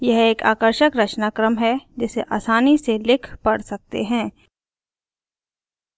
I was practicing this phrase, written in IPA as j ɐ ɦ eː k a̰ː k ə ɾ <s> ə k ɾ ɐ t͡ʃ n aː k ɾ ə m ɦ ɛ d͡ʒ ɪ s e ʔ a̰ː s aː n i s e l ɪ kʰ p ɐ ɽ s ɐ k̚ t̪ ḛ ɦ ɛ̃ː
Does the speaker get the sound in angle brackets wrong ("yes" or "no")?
yes